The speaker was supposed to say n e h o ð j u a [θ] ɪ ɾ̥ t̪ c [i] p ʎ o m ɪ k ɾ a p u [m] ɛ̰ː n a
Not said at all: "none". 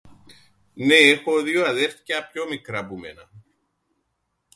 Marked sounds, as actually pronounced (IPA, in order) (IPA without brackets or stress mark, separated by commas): ð, a, m